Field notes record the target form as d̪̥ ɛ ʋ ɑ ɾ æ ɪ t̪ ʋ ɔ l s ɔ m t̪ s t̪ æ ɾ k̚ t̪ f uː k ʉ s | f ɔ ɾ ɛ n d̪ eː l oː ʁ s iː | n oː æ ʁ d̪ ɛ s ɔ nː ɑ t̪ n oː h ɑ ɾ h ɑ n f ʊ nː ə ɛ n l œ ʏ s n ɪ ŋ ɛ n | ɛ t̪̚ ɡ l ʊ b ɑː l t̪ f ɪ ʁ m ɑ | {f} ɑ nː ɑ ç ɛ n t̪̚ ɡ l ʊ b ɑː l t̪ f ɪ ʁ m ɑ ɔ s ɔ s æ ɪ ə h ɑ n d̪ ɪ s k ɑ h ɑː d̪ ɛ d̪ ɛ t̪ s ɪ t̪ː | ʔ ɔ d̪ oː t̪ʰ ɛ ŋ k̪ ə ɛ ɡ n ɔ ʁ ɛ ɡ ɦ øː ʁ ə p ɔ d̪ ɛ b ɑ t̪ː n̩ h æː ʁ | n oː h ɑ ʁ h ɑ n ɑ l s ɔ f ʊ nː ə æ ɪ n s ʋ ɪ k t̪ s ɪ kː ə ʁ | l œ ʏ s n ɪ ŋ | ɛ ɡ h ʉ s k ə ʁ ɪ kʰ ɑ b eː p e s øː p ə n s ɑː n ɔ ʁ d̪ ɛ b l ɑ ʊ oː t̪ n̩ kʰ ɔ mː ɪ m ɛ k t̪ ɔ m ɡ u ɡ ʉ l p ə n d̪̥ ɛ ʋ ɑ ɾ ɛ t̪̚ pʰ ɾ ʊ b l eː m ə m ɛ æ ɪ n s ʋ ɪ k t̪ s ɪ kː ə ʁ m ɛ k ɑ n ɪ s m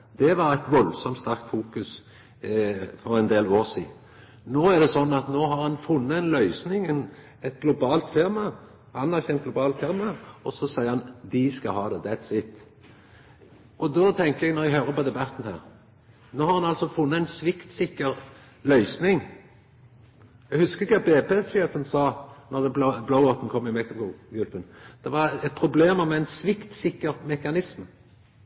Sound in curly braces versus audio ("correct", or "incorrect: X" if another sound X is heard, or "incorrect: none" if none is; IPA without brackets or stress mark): incorrect: h